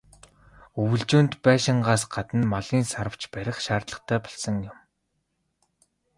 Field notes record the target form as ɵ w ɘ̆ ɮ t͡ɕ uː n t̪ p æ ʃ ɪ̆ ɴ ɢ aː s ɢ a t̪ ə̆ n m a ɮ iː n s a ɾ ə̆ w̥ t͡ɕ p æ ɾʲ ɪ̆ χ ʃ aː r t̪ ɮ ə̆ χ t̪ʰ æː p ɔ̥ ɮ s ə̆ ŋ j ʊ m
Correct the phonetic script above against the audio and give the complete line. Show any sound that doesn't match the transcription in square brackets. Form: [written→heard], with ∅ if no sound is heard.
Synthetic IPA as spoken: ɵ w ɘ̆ ɮ t͡ɕ uː n t̪ p [æ→æː] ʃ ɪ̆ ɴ ɢ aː s ɢ a t̪ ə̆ n m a ɮ iː n s a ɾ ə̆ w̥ t͡ɕ p æ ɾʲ ɪ̆ χ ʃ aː r t̪ ɮ ə̆ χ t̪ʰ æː p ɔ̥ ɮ s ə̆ ŋ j ʊ m